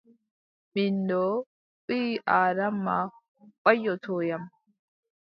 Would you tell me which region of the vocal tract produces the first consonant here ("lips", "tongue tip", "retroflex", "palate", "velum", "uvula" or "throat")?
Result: lips